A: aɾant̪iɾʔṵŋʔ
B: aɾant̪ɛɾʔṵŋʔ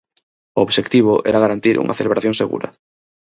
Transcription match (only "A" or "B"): A